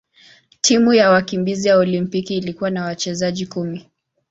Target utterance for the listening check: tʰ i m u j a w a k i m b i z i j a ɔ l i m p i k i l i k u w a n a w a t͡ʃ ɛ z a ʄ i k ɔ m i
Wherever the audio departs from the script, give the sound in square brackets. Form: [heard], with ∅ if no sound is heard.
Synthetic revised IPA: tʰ i m u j a w a k i m b i z i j a ɔ l i m p i k [iː] l i k u w a n a w a t͡ʃ ɛ z a ʄ i k [u] m i